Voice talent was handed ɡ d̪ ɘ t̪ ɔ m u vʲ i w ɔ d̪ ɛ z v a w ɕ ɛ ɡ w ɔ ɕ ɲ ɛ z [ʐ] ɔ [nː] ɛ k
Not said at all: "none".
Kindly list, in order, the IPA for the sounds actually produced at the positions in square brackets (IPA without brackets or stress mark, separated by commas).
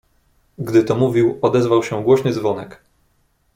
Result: v, n